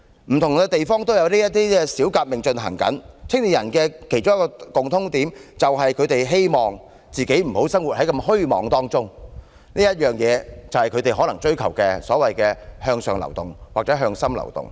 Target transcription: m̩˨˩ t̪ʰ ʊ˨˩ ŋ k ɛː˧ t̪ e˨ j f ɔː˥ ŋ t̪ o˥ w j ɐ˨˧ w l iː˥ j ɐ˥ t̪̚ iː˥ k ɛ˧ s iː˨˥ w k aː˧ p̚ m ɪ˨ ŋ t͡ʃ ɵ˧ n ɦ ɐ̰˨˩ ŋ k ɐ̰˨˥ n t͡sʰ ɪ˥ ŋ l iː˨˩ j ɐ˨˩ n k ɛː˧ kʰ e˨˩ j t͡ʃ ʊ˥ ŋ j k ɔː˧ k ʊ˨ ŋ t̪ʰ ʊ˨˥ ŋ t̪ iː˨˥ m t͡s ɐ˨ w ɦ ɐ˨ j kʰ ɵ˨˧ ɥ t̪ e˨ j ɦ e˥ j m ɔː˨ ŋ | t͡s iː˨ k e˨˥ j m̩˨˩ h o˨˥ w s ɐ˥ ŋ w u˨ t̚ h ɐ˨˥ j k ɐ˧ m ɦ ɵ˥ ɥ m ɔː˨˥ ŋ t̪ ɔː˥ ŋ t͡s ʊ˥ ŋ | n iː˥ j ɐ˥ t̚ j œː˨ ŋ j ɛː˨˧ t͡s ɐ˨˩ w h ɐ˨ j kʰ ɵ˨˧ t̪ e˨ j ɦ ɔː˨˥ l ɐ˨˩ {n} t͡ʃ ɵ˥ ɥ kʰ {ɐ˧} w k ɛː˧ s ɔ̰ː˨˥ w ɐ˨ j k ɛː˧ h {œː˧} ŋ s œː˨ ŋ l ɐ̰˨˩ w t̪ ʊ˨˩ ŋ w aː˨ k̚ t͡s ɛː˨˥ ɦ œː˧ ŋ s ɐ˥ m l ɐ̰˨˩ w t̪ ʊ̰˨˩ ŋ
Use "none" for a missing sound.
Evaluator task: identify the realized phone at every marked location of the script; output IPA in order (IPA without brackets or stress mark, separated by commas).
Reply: ŋ, ɐ˨˩, œː˧